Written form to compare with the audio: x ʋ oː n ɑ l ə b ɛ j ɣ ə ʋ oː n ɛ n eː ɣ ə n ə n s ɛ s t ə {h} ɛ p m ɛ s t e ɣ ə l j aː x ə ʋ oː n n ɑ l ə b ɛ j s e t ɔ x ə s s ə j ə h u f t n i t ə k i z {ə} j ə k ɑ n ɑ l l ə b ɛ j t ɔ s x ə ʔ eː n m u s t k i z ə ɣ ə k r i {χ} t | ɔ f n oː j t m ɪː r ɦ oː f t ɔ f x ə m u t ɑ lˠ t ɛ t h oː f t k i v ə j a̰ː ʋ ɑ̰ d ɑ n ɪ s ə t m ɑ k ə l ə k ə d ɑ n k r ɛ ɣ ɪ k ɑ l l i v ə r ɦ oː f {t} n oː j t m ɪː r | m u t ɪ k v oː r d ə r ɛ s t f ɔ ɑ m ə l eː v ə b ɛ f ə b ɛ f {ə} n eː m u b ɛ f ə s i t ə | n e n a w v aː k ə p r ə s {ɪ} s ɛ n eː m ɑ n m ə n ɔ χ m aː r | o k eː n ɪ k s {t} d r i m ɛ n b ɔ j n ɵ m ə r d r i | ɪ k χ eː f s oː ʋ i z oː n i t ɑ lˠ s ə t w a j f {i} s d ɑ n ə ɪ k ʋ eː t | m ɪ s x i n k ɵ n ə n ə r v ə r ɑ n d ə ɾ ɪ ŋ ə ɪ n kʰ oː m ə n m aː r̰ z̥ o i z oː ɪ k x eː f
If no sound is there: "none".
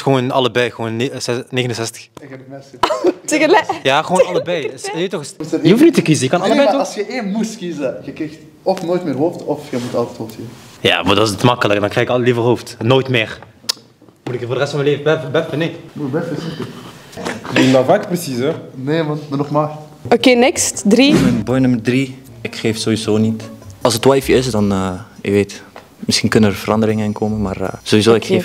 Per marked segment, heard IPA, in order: x, ə, x, t, ə, i, t, ɪ

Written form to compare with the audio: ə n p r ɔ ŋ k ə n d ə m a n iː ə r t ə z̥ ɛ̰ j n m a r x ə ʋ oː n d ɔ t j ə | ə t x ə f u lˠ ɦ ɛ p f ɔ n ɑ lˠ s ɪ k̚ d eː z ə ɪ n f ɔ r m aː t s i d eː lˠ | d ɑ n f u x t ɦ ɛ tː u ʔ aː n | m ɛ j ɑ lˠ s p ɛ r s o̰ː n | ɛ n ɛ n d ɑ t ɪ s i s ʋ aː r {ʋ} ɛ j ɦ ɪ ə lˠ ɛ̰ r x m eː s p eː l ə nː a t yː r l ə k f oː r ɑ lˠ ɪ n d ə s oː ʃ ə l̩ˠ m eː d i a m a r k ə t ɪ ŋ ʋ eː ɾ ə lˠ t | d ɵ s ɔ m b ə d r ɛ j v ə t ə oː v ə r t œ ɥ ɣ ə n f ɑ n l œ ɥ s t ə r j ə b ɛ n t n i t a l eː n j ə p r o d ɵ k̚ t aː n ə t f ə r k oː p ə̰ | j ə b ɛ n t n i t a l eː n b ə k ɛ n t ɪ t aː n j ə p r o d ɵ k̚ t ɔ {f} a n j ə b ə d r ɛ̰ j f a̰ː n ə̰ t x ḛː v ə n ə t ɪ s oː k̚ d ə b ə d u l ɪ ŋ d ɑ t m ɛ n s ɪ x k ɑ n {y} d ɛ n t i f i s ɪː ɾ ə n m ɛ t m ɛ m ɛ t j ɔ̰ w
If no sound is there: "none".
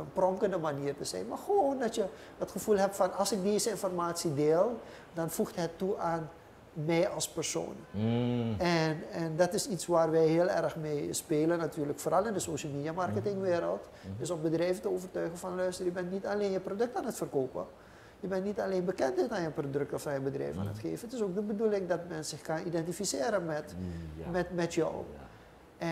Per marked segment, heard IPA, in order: ʋ, f, i

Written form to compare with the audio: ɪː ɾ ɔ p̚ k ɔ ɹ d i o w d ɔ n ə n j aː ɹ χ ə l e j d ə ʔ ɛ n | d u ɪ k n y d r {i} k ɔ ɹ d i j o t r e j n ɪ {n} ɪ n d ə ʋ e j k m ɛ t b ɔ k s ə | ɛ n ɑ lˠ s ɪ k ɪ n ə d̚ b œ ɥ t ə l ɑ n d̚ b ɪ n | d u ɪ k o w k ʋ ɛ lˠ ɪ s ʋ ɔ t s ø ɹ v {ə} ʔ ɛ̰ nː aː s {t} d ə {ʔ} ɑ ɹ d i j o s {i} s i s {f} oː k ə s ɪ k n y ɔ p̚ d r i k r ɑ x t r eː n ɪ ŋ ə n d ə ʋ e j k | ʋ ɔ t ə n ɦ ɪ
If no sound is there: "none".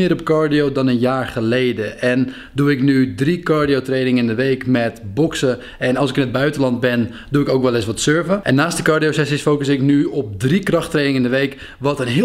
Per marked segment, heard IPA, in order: i, ŋ, ə, t, k, ɛ, f

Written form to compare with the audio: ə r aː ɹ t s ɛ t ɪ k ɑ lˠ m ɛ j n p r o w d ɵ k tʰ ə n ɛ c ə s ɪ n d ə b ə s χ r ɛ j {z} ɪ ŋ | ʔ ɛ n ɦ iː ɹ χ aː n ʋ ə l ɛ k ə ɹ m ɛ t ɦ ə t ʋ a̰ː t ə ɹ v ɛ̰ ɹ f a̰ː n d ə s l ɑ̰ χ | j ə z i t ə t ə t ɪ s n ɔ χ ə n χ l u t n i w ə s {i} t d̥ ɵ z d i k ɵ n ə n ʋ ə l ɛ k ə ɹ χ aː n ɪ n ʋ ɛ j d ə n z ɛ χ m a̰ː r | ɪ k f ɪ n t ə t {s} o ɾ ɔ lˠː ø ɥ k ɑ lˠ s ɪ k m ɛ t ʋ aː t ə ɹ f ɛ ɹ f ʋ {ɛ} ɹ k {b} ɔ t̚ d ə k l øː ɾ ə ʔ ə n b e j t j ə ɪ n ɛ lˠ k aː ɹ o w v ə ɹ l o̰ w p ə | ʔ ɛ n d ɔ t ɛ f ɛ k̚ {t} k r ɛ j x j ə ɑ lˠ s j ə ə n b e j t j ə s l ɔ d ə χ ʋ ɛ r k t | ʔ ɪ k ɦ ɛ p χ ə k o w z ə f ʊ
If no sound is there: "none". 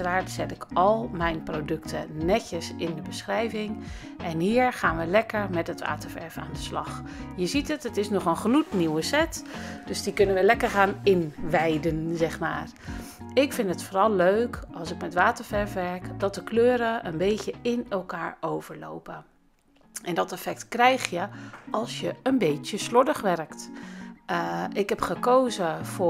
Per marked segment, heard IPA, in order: v, ɛ, f, ɛ, d, t

